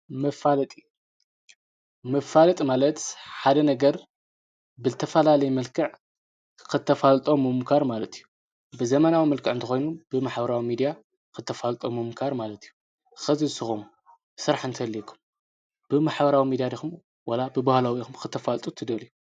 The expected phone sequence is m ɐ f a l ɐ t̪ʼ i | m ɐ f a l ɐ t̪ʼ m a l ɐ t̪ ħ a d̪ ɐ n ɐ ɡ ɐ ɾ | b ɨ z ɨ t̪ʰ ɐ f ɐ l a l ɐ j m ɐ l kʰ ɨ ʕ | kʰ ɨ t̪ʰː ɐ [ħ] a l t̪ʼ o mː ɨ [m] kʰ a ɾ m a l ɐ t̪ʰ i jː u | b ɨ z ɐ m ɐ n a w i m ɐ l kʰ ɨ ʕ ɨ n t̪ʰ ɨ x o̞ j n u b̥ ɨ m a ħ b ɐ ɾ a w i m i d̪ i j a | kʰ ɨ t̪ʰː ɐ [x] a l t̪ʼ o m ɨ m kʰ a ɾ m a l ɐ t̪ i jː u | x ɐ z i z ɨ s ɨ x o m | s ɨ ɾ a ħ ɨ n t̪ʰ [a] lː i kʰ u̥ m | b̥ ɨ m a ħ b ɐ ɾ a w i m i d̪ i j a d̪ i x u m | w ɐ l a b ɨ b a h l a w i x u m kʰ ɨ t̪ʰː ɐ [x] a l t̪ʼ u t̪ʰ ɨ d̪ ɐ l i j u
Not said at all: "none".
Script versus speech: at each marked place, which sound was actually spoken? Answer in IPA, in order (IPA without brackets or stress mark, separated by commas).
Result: f, m, f, ɐ, f